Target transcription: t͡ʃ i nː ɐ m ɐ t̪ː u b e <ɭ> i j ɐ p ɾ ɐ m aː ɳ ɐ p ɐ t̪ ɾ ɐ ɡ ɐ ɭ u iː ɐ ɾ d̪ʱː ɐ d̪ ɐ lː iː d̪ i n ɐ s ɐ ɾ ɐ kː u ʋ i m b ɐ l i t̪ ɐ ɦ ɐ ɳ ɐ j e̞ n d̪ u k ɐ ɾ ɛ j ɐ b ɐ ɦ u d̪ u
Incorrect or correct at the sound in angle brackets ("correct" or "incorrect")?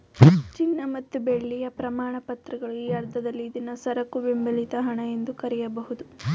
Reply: incorrect